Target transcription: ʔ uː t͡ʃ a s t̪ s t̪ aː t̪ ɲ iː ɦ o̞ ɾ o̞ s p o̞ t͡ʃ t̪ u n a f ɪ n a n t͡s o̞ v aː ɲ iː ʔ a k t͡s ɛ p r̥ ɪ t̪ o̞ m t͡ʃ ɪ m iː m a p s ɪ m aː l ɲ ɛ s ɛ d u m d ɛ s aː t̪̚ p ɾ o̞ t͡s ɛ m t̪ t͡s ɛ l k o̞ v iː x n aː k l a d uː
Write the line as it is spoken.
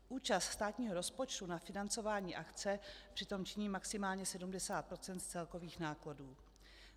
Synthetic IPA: ʔ uː t͡ʃ a s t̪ s t̪ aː t̪ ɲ iː ɦ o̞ ɾ o̞ s p o̞ t͡ʃ t̪ u n a f ɪ n a n t͡s o̞ v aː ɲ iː ʔ a k t͡s ɛ p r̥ ɪ t̪ o̞ m t͡ʃ ɪ ɲ iː m a k s ɪ m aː l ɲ ɛ s ɛ d u m d ɛ s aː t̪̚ p ɾ o̞ t͡s ɛ n t̪ t͡s ɛ l k o̞ v iː x n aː k l a d uː